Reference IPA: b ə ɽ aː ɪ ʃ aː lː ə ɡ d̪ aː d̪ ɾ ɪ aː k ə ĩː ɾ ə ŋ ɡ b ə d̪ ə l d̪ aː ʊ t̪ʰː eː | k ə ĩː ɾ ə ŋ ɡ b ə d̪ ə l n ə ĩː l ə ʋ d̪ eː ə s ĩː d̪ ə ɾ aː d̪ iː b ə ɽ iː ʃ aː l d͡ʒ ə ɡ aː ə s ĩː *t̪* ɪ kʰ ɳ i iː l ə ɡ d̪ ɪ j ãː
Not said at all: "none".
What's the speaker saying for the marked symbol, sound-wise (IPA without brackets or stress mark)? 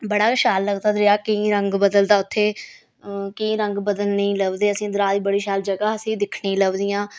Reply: d̪